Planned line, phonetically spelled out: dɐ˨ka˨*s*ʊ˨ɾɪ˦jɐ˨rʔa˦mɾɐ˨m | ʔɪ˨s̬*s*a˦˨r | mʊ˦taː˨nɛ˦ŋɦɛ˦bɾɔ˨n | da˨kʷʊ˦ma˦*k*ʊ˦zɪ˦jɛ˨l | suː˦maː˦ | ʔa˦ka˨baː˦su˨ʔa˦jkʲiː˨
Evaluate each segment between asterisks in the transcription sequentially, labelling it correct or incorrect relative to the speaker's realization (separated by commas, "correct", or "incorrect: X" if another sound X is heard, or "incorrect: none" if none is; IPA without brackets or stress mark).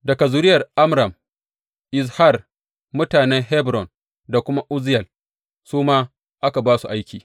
incorrect: z, incorrect: h, incorrect: ʔ